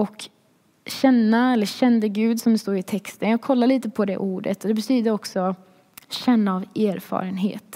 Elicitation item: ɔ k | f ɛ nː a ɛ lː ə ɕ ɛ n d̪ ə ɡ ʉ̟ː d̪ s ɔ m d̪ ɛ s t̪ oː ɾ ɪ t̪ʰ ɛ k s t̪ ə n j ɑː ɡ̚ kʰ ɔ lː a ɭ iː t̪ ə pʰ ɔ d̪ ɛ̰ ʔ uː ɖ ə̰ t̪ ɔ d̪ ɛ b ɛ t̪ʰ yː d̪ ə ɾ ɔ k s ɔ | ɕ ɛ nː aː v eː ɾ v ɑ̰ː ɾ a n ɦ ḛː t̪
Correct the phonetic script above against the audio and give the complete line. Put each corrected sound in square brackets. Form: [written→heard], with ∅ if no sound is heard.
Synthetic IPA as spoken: ɔ k | [f→ɕ] ɛ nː a ɛ lː ə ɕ ɛ n d̪ ə ɡ ʉ̟ː d̪ s ɔ m d̪ ɛ s t̪ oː ɾ ɪ t̪ʰ ɛ k s t̪ ə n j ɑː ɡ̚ kʰ ɔ lː a ɭ iː t̪ ə pʰ ɔ d̪ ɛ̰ ʔ uː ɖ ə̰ t̪ ɔ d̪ ɛ b ɛ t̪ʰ yː d̪ ə ɾ ɔ k s ɔ | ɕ ɛ nː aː v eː ɾ [v→f] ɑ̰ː ɾ [a→ə] n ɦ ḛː t̪